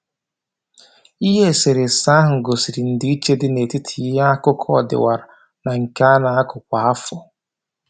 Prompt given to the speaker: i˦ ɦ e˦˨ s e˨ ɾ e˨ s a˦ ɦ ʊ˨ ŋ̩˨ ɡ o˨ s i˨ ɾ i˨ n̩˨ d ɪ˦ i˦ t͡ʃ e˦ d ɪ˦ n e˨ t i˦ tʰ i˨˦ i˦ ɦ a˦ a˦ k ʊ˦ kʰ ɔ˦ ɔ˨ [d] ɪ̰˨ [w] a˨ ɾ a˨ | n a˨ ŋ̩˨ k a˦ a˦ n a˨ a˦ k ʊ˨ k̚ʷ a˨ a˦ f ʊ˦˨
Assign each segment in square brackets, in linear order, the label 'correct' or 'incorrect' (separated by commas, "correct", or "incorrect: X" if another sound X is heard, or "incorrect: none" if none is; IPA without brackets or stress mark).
correct, correct